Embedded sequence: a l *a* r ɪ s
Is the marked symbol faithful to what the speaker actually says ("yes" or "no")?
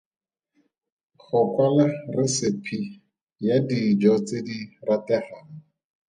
yes